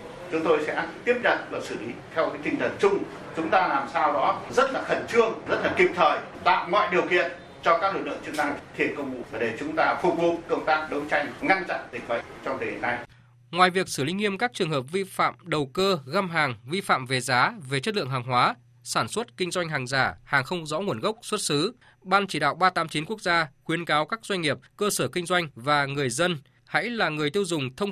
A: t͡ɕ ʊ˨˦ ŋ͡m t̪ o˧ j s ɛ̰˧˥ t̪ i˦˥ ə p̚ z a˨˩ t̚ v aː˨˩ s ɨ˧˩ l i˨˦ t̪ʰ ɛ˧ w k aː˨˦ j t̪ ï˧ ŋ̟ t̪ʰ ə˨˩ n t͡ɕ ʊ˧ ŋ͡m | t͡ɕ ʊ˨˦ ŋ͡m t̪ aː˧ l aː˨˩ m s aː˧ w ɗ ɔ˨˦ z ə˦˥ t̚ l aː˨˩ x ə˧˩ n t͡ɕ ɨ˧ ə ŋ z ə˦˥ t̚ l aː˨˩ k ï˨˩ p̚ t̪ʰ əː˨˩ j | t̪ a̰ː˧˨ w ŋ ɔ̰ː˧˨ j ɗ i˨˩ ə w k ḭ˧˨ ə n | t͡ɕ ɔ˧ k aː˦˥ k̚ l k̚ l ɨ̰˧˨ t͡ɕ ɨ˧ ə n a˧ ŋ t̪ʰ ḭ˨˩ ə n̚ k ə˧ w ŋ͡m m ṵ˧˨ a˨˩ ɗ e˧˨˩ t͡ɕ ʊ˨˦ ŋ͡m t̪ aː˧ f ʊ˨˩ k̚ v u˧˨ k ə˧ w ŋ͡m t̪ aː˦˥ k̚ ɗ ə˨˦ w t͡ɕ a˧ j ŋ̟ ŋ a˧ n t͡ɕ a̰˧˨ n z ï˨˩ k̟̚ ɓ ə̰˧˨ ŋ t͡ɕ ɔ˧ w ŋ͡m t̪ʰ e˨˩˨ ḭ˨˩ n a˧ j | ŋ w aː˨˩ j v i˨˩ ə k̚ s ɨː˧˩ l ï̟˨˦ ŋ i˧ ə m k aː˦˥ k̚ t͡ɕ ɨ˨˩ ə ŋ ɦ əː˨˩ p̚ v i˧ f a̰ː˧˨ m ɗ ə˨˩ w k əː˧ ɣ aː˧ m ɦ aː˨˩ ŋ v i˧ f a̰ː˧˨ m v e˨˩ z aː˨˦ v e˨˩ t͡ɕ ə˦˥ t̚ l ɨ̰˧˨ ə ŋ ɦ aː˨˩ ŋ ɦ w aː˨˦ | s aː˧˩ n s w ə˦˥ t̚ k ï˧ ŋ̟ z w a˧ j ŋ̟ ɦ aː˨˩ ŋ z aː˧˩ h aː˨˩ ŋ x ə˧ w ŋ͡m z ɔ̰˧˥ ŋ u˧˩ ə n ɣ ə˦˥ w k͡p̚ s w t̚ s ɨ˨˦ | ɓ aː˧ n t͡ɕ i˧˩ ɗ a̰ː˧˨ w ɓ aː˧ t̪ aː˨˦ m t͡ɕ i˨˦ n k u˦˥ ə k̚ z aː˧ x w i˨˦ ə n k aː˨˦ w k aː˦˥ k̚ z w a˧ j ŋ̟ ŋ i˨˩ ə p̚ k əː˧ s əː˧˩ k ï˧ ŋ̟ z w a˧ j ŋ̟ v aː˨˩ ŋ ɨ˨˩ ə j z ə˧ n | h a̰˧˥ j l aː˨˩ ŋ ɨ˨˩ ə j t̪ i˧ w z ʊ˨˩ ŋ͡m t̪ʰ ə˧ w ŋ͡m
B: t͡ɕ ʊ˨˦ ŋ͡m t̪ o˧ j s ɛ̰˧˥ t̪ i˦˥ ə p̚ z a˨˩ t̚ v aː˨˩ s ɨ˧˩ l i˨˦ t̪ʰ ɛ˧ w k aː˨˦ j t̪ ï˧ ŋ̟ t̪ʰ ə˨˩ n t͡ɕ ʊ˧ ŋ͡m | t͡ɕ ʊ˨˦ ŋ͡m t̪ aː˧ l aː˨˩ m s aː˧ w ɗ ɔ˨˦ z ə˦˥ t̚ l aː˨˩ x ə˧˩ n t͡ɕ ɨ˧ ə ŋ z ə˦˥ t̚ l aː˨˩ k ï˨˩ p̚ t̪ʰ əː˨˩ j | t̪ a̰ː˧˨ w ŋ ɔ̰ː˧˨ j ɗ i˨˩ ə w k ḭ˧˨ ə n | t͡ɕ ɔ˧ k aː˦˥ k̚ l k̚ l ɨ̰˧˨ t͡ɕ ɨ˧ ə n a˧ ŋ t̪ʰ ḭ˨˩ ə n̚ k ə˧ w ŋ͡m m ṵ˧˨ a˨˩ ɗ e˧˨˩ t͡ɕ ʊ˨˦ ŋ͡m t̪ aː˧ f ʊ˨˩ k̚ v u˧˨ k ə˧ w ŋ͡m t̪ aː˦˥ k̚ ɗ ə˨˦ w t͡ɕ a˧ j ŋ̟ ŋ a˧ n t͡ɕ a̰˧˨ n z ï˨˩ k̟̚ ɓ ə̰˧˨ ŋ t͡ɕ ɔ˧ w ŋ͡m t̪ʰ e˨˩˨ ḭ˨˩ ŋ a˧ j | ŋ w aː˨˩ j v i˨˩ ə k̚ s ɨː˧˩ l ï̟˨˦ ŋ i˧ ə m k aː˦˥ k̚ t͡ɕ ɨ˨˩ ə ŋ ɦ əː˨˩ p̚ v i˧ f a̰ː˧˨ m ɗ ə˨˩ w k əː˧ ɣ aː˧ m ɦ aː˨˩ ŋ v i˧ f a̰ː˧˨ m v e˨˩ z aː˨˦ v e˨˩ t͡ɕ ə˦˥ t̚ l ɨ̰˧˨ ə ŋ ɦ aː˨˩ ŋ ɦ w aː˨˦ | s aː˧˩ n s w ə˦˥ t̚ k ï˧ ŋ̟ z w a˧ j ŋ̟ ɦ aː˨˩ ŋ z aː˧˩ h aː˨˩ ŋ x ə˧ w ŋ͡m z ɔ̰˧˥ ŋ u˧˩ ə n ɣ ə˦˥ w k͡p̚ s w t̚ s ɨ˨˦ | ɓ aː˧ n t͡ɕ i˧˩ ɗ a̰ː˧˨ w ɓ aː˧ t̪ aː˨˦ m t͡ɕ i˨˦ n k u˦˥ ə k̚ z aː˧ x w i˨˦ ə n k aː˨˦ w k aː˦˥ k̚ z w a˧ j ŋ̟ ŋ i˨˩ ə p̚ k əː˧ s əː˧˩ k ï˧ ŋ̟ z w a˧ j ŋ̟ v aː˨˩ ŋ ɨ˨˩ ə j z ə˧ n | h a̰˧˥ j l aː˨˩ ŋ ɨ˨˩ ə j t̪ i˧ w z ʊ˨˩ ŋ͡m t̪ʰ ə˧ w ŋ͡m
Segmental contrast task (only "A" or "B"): A